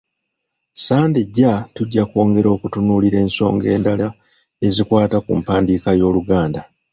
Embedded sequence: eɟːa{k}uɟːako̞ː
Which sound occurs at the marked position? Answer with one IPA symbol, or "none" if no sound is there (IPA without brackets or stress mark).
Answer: t